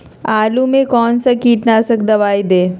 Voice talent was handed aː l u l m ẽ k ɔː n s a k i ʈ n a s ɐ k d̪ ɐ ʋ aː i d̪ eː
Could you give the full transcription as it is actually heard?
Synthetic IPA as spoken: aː l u m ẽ k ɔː n s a k iː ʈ n a s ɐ k d̪ ɐ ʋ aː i d̪ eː